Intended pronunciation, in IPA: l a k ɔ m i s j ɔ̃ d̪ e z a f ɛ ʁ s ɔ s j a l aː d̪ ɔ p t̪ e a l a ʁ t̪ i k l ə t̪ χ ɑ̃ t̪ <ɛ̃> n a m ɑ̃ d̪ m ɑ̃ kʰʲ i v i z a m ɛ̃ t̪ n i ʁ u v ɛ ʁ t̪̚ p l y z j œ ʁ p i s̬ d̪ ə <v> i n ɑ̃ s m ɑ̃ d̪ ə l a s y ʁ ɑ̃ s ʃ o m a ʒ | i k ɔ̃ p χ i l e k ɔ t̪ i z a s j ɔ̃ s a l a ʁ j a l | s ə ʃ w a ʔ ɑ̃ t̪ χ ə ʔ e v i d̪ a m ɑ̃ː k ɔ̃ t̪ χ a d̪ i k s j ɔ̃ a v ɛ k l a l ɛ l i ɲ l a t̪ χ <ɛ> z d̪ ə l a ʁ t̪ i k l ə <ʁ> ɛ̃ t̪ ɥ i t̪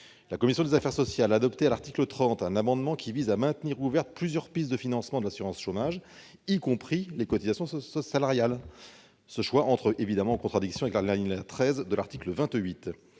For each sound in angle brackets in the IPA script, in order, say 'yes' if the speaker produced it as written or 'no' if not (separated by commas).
yes, no, yes, no